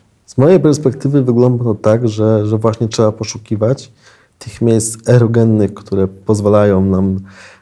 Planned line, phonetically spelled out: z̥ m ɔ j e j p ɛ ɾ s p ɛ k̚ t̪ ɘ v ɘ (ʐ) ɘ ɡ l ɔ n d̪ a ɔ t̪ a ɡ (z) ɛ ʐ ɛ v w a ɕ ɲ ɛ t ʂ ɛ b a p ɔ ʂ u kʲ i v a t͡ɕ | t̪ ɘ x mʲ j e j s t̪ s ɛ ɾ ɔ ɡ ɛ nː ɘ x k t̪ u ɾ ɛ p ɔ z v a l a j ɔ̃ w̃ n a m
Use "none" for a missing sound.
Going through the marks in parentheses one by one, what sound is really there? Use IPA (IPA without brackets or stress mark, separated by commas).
v, ʐ